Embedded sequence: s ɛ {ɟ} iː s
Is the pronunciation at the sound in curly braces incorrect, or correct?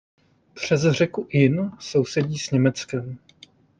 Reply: correct